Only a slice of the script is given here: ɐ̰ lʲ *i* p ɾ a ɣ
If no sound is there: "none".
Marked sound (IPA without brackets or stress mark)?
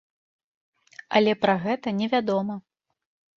ɛ